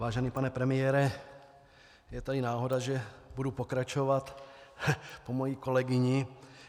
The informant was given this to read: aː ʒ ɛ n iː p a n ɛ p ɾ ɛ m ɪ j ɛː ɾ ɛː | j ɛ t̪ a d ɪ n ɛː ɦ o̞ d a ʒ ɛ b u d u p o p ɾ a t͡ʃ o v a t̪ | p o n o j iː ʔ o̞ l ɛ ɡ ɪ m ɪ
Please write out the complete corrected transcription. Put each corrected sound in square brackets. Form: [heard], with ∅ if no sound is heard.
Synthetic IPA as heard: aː ʒ ɛ n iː p a n ɛ p ɾ ɛ m ɪ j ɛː ɾ [ɛ] | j ɛ t̪ a d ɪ n [aː] ɦ o̞ d a ʒ ɛ b u d u p o [k] ɾ a t͡ʃ o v a t̪ | p o [m] o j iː [k] o̞ l ɛ ɡ ɪ [ɲ] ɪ